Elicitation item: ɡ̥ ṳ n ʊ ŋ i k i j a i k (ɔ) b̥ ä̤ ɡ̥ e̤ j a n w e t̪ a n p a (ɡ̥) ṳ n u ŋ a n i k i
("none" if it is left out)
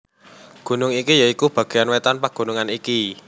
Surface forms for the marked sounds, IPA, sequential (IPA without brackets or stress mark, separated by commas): u, ɡ̥